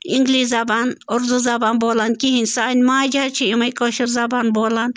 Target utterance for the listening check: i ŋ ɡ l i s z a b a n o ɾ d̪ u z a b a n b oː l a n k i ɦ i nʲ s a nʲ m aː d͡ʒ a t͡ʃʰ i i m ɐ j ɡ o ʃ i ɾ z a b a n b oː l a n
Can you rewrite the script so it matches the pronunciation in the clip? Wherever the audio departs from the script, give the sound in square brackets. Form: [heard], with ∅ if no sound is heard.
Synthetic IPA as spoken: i ŋ ɡ l i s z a b a n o ɾ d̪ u z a b a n b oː l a n k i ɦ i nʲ s a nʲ m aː d͡ʒ a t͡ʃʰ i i m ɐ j [k] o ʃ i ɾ z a b a n b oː l a n